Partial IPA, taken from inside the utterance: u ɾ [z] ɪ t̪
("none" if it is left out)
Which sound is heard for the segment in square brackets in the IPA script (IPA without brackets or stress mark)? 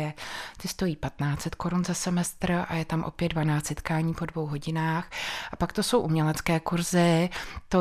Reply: z